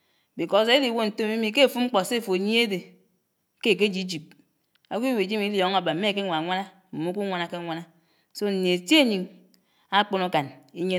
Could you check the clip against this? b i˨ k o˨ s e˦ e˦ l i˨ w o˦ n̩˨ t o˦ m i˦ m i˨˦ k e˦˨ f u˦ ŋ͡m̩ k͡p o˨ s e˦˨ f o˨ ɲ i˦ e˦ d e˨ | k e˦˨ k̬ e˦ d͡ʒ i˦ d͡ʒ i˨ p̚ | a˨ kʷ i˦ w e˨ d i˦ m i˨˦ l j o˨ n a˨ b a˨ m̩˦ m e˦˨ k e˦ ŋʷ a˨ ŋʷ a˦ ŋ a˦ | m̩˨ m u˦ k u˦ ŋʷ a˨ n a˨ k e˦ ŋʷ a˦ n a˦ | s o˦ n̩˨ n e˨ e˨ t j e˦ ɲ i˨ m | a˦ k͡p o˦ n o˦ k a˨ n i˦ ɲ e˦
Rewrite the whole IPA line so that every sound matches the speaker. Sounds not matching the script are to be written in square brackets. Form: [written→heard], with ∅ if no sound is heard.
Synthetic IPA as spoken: b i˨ k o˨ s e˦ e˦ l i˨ w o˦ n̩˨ t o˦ m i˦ m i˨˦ k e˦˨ f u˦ ŋ͡m̩ k͡p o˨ s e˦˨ f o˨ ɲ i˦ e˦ d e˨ | k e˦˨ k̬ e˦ d͡ʒ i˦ d͡ʒ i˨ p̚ | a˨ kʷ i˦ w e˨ [d→d͡ʒ] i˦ m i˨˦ l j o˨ [n→ŋ] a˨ b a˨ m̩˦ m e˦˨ k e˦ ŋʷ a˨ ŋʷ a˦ [ŋ→n] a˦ | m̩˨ m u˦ k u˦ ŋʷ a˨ n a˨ k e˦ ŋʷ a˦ n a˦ | s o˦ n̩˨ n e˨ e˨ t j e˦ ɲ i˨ [m→ŋ] | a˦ k͡p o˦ n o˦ k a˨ n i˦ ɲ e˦